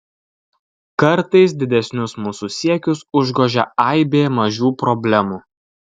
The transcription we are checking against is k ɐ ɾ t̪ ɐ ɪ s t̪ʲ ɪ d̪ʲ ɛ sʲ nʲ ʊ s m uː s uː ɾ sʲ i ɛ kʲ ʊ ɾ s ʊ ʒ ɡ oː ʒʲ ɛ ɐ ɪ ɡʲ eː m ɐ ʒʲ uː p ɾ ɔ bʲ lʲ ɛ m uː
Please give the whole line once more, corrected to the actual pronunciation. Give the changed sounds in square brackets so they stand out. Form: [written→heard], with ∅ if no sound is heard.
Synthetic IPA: k ɐ ɾ t̪ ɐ ɪ s [t̪ʲ→d̪ʲ] ɪ d̪ʲ ɛ sʲ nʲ ʊ s m uː s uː [ɾ→∅] sʲ i ɛ kʲ ʊ [ɾ→∅] s ʊ ʒ ɡ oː ʒʲ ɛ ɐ ɪ [ɡʲ→bʲ] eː m ɐ ʒʲ uː p ɾ ɔ bʲ lʲ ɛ m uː